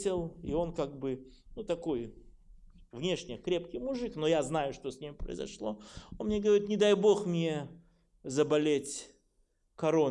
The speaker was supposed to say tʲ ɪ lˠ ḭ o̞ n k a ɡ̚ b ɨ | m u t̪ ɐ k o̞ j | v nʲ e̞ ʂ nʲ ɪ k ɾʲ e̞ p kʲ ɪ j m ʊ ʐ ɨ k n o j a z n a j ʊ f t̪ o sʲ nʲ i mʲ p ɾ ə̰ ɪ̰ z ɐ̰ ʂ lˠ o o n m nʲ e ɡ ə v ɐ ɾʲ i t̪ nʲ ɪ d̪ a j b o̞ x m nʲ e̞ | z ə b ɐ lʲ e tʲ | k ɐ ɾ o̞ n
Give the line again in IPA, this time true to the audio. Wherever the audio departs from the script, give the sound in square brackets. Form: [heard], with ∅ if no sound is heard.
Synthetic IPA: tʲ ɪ lˠ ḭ o̞ n k a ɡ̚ b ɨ | [n] u t̪ ɐ k o̞ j | v nʲ e̞ ʂ nʲ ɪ k ɾʲ e̞ p kʲ ɪ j m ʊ ʐ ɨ k n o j a z n a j ʊ [ʂ] t̪ o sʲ nʲ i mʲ p ɾ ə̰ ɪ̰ z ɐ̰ ʂ lˠ o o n m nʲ e ɡ ə v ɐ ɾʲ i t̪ nʲ ɪ d̪ a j b o̞ x m nʲ e̞ | z ə b ɐ lʲ e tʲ | k ɐ ɾ o̞ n

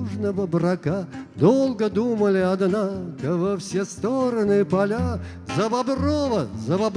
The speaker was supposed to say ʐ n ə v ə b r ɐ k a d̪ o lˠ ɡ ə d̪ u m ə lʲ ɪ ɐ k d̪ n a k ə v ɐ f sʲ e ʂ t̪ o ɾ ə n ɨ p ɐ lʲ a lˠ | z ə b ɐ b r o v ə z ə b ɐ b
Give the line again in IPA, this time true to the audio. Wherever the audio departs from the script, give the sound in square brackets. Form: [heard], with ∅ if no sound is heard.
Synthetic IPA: ʐ n ə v ə b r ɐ k a d̪ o lˠ ɡ ə d̪ u m ə lʲ ɪ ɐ [∅] d̪ n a k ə v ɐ f sʲ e [s] t̪ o ɾ ə n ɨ p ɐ lʲ a [∅] | z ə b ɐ b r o v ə z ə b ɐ b

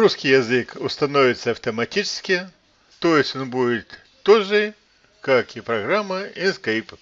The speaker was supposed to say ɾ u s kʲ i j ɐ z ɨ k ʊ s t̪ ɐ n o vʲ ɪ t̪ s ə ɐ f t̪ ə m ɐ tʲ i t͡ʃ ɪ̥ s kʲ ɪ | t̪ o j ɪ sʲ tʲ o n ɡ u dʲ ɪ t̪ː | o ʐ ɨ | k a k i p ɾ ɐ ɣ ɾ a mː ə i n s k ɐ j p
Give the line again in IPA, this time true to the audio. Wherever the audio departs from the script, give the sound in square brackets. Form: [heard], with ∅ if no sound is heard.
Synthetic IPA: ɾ u s kʲ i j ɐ z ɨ k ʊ s t̪ ɐ n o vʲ ɪ t̪ s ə ɐ f t̪ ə m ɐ tʲ i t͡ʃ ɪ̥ s kʲ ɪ | t̪ o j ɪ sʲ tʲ o n [b] u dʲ ɪ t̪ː | o ʐ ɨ | k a k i p ɾ ɐ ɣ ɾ a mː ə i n s k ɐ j p

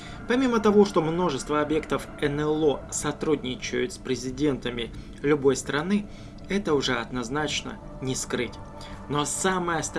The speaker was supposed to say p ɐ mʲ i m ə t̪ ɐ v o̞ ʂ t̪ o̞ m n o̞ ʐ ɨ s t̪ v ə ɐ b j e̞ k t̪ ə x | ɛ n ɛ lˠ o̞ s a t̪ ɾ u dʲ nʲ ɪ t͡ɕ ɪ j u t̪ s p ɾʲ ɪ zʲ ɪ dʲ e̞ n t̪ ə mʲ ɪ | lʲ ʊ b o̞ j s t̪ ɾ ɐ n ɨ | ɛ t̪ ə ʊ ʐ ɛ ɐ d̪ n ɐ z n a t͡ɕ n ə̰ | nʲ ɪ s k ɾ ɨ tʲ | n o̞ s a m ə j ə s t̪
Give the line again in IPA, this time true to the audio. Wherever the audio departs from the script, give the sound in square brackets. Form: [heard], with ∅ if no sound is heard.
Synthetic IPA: p ɐ mʲ i m ə t̪ ɐ v o̞ ʂ t̪ o̞ m n o̞ ʐ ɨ s t̪ v ə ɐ b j e̞ k t̪ ə [f] | ɛ n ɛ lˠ o̞ s [ɐ] t̪ ɾ u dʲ nʲ ɪ t͡ɕ ɪ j [ʊ] t̪ s p ɾʲ ɪ zʲ ɪ dʲ e̞ n t̪ ə mʲ ɪ | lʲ ʊ b o̞ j s t̪ ɾ ɐ n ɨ | ɛ t̪ ə ʊ ʐ ɛ ɐ d̪ n ɐ z n a t͡ɕ n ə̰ | nʲ ɪ s k ɾ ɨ tʲ | n o̞ s a m ə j ə s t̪

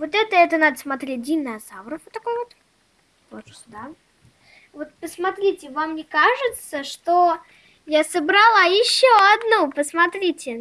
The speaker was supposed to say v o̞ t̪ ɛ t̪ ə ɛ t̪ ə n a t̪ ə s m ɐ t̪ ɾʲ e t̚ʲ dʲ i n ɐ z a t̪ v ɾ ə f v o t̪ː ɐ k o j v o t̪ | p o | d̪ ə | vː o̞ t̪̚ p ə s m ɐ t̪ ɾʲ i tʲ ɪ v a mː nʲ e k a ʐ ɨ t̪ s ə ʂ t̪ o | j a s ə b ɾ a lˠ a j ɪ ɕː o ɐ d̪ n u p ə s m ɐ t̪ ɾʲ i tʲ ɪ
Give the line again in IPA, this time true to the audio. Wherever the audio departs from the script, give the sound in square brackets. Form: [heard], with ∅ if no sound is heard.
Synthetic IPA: v o̞ t̪ ɛ t̪ ə ɛ t̪ ə n a [d̪] ə s m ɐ t̪ ɾʲ e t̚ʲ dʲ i n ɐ z a [∅] v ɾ ə f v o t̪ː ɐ k o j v o t̪ | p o | d̪ [a] | [v] o̞ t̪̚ p ə s m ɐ t̪ ɾʲ i tʲ ɪ v a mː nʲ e k a ʐ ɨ t̪ s ə ʂ t̪ o | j a s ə b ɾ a lˠ a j ɪ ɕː o ɐ d̪ n u p ə s m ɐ t̪ ɾʲ i tʲ ɪ

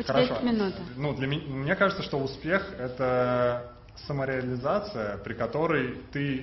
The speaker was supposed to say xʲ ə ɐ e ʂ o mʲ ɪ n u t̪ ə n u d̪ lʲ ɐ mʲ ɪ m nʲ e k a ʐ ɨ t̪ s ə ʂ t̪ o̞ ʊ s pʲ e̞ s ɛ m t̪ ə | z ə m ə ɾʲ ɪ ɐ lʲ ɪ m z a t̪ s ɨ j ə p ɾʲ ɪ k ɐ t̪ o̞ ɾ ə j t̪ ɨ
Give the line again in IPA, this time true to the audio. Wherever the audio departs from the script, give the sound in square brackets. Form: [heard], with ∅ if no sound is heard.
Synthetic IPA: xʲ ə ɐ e ʂ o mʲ ɪ n u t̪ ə n u d̪ lʲ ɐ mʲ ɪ m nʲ e k a ʐ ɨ t̪ s ə ʂ t̪ o̞ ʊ s pʲ e̞ [x] ɛ [∅] t̪ ə | [s] ə m ə ɾʲ ɪ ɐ lʲ ɪ [∅] z a t̪ s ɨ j ə p ɾʲ ɪ k ɐ t̪ o̞ ɾ ə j t̪ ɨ

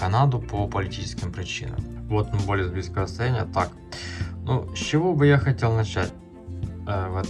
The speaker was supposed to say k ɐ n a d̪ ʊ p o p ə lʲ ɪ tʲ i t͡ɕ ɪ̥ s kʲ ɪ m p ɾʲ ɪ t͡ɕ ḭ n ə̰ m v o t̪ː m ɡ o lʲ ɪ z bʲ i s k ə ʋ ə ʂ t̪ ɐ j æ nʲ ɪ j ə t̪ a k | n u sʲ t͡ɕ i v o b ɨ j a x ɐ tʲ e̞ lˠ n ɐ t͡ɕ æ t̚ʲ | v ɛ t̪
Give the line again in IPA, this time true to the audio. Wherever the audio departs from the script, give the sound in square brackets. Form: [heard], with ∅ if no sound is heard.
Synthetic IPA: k ɐ n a d̪ ʊ p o p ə lʲ ɪ tʲ i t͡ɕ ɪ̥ s kʲ ɪ m p ɾʲ ɪ t͡ɕ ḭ n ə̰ m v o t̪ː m [b] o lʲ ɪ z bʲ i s k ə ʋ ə [s] t̪ ɐ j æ nʲ ɪ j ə t̪ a k | n u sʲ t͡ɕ [ɪ] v o b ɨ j a x ɐ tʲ e̞ lˠ n ɐ t͡ɕ æ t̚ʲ | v ɛ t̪

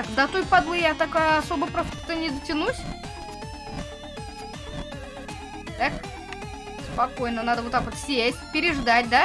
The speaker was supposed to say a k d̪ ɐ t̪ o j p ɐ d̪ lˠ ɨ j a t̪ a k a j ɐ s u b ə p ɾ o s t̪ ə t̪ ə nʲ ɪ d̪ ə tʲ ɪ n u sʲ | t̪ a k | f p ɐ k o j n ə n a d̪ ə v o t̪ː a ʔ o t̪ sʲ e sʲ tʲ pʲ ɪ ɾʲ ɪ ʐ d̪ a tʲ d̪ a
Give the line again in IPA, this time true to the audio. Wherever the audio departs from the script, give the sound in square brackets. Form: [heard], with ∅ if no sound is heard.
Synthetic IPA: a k d̪ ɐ t̪ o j p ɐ d̪ lˠ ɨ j a t̪ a k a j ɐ s [o] b ə p ɾ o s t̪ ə t̪ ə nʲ ɪ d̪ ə tʲ ɪ n u sʲ | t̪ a k | [s] p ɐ k o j n ə n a d̪ ə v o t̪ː a [k] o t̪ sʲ e sʲ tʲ pʲ ɪ ɾʲ ɪ ʐ d̪ a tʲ d̪ a

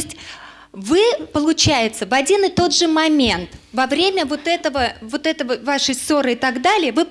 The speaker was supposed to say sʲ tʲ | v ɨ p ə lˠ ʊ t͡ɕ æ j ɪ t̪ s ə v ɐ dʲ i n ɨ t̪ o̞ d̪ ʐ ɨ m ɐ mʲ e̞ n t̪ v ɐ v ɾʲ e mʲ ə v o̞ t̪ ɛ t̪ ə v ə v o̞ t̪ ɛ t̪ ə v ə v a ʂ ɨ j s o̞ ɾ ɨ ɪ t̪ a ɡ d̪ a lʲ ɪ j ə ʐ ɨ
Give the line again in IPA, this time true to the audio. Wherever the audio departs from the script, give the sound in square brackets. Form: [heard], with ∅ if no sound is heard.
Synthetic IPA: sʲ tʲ | v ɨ p ə lˠ ʊ t͡ɕ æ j ɪ t̪ s ə v ɐ dʲ i n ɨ t̪ o̞ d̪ ʐ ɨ m ɐ mʲ e̞ n t̪ v ɐ v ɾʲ e mʲ ə v o̞ t̪ ɛ t̪ ə v ə v o̞ t̪ ɛ t̪ ə v ə v a ʂ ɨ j s o̞ ɾ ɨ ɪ t̪ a ɡ d̪ a lʲ ɪ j ə [v] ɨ

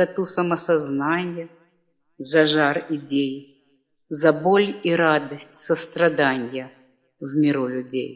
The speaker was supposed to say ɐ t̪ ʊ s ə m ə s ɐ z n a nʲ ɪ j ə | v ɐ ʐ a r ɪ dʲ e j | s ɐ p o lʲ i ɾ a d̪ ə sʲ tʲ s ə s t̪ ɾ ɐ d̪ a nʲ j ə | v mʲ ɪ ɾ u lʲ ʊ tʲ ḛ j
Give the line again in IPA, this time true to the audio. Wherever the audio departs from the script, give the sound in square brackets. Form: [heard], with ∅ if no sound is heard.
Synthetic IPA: ɐ t̪ [u] s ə m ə s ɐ z n a nʲ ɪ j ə | [z] ɐ ʐ a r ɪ dʲ e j | [z] ɐ [b] o lʲ i ɾ a d̪ ə sʲ tʲ s ə s t̪ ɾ ɐ d̪ a nʲ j ə | v mʲ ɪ ɾ u lʲ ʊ [dʲ] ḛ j

